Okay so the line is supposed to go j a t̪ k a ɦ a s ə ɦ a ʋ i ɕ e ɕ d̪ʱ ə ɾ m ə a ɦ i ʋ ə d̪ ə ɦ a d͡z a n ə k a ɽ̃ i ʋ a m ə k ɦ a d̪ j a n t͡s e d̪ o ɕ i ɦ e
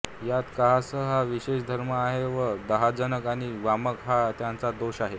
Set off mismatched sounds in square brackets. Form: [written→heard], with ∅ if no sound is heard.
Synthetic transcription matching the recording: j a t̪ k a ɦ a s ə ɦ a ʋ i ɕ e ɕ d̪ʱ ə ɾ m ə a ɦ [i→e] ʋ ə d̪ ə ɦ a d͡z [a→ə] n ə k a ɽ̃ i ʋ a m ə k ɦ a [d̪→t̪] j a n t͡s [e→a] d̪ o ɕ [i→a] ɦ e